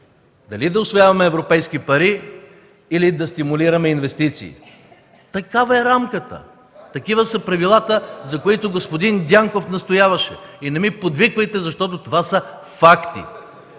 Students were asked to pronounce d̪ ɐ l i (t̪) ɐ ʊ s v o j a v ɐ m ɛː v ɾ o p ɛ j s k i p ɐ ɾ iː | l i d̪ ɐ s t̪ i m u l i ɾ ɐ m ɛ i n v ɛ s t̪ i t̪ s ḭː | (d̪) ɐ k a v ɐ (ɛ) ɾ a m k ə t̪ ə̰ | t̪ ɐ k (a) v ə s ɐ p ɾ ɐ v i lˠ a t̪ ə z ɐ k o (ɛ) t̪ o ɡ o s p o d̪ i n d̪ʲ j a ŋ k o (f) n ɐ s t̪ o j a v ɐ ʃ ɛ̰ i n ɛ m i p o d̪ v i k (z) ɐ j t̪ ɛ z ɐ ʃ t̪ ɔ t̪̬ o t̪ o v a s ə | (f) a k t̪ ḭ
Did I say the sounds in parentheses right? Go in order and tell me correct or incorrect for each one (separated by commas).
incorrect, incorrect, correct, incorrect, incorrect, correct, incorrect, correct